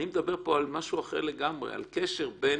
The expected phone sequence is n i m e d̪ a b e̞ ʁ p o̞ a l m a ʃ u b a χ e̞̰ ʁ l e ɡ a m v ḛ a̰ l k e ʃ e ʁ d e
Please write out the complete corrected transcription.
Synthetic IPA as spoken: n i m e d̪ a b e̞ ʁ p o̞ a l m a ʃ u a χ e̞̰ ʁ l e ɡ a m ʁ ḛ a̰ l k e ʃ e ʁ b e